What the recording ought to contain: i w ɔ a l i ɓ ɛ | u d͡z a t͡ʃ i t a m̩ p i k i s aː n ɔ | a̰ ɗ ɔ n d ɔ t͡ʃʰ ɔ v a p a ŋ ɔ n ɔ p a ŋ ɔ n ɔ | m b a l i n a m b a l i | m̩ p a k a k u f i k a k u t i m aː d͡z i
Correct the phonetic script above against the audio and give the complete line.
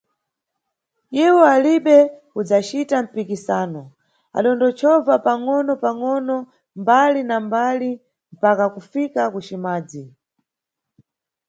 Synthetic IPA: i w ɔ a l i ɓ ɛ | u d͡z a t͡ʃ i t a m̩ p i k i s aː n ɔ | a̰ ɗ ɔ n d ɔ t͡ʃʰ ɔ v a p a ŋ ɔ n ɔ p a ŋ ɔ n ɔ | m b a l i n a m b a l i | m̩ p a k a k u f i k a k u t͡ʃ i m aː d͡z i